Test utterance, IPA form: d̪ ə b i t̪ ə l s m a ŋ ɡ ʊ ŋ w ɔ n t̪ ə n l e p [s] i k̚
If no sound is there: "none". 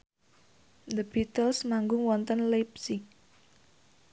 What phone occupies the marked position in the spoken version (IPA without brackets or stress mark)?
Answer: s